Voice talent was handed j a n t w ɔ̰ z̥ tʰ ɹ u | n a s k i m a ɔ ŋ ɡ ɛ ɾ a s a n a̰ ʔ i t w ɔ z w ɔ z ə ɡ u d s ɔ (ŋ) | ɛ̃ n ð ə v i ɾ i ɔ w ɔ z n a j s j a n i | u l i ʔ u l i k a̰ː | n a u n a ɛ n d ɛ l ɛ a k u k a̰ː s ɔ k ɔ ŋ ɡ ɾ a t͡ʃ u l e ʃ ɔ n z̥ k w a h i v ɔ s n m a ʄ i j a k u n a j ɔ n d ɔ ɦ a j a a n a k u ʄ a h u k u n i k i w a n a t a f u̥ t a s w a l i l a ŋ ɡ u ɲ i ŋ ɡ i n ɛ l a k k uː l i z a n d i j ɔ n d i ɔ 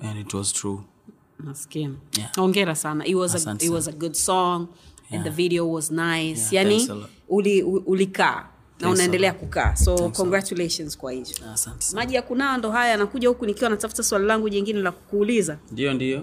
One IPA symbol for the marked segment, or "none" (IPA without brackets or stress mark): ŋ